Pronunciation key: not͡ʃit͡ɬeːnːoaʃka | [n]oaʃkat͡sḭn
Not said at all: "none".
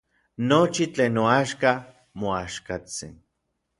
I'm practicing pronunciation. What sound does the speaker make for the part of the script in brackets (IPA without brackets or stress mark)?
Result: m